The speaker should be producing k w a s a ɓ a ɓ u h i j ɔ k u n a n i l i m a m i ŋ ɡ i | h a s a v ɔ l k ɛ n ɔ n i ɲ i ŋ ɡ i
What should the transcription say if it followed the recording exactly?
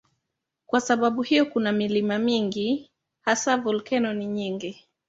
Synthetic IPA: k w a s a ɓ a ɓ u h i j ɔ k u n a m i l i m a m i ŋ ɡ i | h a s a v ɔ l k ɛ n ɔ n i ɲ i ŋ ɡ i